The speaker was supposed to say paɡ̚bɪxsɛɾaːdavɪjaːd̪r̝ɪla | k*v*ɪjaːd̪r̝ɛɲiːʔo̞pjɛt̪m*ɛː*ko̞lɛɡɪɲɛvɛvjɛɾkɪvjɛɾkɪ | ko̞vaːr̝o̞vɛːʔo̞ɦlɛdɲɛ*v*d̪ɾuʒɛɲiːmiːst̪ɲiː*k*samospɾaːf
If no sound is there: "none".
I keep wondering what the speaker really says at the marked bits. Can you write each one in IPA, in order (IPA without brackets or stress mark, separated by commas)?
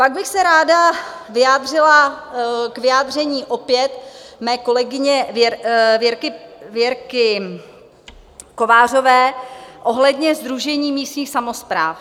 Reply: v, ɛː, z, x